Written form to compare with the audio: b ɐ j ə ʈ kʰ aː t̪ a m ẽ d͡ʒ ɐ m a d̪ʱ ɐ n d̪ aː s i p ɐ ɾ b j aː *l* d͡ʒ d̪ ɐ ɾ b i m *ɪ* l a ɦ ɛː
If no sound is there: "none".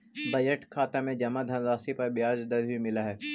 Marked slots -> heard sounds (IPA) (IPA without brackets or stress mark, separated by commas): none, ɪ